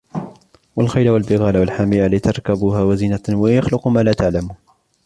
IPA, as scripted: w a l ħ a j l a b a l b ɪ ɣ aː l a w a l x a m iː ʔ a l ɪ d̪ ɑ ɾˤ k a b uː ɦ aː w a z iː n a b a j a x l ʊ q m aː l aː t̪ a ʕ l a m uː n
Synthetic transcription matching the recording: w a l x a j l a w a l b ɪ ɣ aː l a w a l ħ a m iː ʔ a l ɪ t̪ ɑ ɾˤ k a b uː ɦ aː w a z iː n a w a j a x l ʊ q m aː l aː t̪ a ʕ l a m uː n